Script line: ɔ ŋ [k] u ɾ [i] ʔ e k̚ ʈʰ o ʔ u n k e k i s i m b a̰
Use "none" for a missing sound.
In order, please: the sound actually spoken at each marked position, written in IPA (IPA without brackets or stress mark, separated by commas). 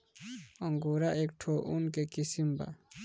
ɡ, a